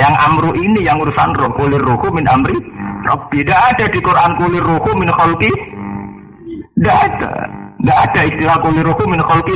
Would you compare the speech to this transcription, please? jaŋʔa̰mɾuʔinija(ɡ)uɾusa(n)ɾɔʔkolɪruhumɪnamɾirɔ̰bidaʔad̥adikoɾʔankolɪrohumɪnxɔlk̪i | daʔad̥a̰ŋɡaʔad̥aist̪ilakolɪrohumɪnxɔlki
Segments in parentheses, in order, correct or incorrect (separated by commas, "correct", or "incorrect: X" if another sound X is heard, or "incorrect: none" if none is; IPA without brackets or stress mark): incorrect: ŋ, correct